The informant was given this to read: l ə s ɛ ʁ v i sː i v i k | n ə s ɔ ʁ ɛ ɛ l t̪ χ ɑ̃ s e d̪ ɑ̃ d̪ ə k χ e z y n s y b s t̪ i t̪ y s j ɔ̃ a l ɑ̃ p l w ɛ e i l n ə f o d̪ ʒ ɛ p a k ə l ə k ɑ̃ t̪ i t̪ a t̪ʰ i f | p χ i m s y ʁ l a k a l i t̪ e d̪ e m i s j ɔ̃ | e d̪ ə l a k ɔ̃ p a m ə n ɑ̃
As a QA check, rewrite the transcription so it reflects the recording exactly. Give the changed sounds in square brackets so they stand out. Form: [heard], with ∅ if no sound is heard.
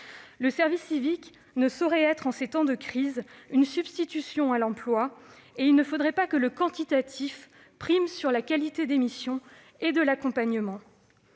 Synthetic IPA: l ə s ɛ ʁ v i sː i v i k | n ə s ɔ ʁ ɛ ɛ [∅] t̪ χ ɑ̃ s e [t̪] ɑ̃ d̪ ə k χ [i] z y n s y b s t̪ i t̪ y s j ɔ̃ a l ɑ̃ p l w [a] e i l n ə f o d̪ [ʁ] ɛ p a k ə l ə k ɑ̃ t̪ i t̪ a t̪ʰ i f | p χ i m s y ʁ l a k a l i t̪ e d̪ e m i s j ɔ̃ | e d̪ ə l a k ɔ̃ p a [ɲ] ə [m] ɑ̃